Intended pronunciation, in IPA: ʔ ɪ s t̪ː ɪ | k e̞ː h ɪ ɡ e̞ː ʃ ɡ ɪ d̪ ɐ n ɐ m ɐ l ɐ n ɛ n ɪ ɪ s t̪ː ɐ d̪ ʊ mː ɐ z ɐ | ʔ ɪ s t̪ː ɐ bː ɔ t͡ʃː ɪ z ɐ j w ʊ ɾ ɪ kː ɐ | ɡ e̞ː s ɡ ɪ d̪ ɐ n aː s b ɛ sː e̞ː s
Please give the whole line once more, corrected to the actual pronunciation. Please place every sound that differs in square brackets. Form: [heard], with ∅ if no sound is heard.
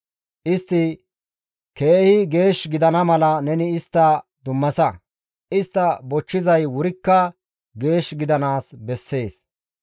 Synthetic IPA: ʔ ɪ s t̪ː ɪ | k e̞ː h ɪ ɡ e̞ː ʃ ɡ ɪ d̪ ɐ n ɐ m ɐ l ɐ n ɛ n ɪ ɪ s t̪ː ɐ d̪ ʊ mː ɐ [s] ɐ | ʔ ɪ s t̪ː ɐ [b] ɔ t͡ʃː ɪ z ɐ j w ʊ ɾ ɪ kː ɐ | ɡ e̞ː [ʃ] ɡ ɪ d̪ ɐ n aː s b ɛ sː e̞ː s